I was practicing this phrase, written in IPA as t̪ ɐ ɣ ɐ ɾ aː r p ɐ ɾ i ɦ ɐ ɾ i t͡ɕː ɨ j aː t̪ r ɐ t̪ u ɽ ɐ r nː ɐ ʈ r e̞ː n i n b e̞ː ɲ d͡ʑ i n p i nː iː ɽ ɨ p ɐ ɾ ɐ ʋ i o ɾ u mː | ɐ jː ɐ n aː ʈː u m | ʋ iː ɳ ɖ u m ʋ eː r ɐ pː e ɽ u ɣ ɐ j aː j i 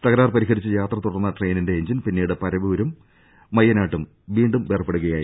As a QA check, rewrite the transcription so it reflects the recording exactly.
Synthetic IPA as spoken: t̪ ɐ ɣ ɐ ɾ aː r p ɐ ɾ i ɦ ɐ ɾ i t͡ɕː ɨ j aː t̪ r ɐ t̪ u ɽ ɐ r nː ɐ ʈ r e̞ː n i n d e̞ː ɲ d͡ʑ i n p i nː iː ɽ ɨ p ɐ ɾ ɐ ʋ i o ɾ u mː | ɐ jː ɐ n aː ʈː u m | ʋ iː ɳ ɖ u m ʋ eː r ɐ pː e ɽ u ɣ ɐ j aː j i